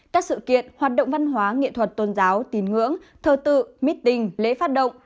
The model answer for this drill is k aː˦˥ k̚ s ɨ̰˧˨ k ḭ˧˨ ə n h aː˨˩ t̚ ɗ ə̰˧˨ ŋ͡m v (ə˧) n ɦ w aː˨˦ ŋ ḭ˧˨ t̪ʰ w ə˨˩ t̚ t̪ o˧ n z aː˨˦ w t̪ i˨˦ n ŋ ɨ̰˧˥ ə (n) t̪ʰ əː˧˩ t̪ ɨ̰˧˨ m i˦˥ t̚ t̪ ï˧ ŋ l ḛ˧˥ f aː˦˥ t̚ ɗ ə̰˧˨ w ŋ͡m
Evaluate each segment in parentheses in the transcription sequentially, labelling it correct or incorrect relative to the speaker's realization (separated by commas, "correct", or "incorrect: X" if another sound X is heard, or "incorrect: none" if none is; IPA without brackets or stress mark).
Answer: incorrect: a˧, incorrect: ŋ